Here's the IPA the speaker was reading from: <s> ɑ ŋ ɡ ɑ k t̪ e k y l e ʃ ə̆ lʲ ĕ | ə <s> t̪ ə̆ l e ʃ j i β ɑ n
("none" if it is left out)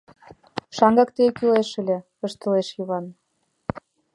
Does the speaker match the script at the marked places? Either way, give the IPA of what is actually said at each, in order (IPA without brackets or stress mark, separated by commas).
ʃ, ʃ